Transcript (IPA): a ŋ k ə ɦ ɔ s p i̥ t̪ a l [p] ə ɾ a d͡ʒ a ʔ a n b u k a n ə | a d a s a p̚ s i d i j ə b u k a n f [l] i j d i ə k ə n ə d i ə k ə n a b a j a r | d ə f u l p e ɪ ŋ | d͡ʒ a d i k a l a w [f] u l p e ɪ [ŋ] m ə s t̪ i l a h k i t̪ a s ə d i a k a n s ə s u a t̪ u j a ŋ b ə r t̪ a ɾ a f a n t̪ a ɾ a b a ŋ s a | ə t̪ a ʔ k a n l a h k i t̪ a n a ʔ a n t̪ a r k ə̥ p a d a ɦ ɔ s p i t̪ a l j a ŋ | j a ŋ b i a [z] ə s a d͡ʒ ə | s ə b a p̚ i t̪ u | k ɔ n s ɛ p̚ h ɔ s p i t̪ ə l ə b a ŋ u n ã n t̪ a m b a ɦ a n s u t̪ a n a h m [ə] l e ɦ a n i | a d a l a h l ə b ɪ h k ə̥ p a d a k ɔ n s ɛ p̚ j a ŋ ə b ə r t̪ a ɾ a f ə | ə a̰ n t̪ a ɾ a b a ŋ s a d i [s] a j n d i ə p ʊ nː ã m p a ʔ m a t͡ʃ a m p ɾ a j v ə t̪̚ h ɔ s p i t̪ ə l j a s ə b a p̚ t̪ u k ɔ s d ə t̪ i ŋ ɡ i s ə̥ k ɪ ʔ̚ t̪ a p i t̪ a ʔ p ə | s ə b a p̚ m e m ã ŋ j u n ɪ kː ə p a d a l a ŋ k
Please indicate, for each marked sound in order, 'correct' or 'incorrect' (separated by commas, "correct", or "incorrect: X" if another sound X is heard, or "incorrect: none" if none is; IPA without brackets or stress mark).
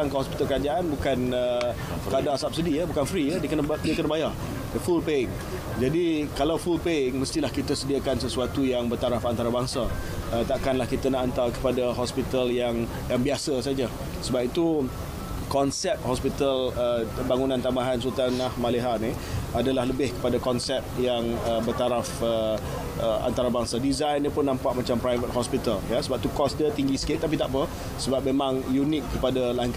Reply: incorrect: k, incorrect: ɾ, correct, correct, incorrect: s, incorrect: a, incorrect: z